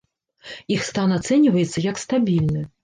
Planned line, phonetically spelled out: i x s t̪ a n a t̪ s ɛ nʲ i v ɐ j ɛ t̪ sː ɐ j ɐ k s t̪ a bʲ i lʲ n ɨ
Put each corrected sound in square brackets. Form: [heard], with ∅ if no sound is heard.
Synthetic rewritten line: i x s t̪ a n a t̪ s ɛ nʲ i v ɐ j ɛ t̪ sː ɐ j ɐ k s t̪ a bʲ i lʲ n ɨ